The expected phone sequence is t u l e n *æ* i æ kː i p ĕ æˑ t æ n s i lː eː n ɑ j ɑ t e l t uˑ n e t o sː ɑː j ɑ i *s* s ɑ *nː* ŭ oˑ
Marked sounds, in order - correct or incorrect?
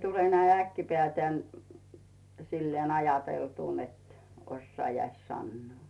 correct, correct, correct

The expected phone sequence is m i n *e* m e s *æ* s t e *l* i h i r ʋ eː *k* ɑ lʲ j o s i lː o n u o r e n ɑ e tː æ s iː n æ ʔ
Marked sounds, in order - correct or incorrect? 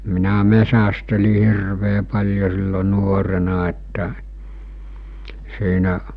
incorrect: æ, correct, correct, incorrect: p

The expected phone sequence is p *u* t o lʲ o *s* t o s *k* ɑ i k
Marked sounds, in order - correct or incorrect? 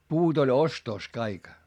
incorrect: uː, correct, correct

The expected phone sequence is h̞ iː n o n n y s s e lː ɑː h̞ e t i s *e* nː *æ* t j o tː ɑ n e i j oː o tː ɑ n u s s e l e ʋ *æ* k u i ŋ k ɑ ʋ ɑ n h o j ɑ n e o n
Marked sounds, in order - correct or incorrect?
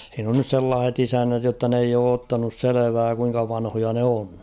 incorrect: æ, correct, incorrect: æː

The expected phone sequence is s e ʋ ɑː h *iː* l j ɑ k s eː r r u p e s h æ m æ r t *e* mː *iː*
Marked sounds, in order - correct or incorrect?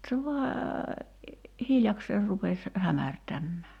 incorrect: i, incorrect: æ, incorrect: æː

